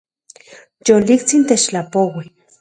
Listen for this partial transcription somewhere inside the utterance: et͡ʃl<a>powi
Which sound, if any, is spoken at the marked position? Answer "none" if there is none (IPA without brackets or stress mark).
a